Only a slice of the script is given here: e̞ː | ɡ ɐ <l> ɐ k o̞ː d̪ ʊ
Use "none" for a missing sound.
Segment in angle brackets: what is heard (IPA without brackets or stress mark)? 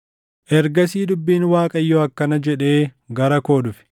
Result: ɾ